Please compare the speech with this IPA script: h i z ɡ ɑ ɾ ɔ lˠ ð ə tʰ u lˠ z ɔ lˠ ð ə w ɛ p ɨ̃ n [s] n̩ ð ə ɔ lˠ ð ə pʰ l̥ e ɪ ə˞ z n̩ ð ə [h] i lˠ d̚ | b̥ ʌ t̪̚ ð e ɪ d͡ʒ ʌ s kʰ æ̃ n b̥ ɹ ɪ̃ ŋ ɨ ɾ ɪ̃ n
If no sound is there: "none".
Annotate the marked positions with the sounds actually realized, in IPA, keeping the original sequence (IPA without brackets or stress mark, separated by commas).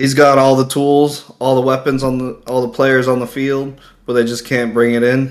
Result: z, f